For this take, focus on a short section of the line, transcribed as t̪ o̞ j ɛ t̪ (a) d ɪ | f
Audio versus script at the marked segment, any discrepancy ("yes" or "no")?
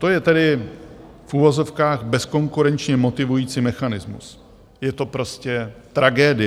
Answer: yes